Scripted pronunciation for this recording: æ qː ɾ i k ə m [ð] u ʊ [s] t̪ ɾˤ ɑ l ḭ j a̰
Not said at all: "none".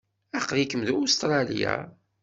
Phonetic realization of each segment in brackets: ð, s

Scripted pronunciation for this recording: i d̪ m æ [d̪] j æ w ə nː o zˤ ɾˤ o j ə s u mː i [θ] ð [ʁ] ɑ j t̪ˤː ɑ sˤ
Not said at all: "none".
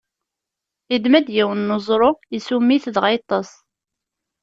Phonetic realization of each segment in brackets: d̪, θ, ʁ

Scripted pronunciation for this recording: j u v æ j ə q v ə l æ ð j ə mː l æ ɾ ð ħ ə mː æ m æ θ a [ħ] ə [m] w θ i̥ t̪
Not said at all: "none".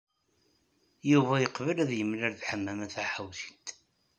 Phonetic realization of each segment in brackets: ħ, none

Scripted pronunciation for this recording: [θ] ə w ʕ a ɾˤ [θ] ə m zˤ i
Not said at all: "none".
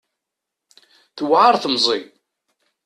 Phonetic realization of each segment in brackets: θ, θ

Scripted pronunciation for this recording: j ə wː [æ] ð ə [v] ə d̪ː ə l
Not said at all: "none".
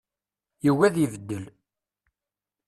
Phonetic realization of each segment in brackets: æ, v

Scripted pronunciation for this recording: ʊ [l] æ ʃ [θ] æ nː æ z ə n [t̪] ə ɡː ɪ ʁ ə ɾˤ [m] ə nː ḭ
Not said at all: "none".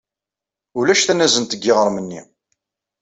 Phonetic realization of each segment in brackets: l, θ, t̪, m

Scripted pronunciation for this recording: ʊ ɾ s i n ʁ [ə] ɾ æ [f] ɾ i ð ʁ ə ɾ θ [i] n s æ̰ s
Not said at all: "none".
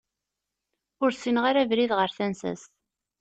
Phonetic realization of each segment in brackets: a, v, æ

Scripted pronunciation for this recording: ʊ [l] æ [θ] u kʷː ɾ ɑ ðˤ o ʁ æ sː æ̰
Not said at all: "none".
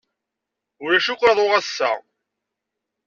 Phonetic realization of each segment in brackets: ɾ, ʃ

